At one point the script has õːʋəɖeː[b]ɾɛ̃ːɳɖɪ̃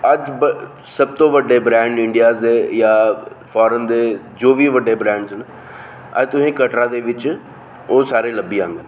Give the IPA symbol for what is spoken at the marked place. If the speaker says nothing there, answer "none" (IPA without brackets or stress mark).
b